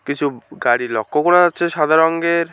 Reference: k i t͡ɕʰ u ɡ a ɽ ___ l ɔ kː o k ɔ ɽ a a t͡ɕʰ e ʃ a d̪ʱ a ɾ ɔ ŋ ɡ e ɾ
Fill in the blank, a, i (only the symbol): i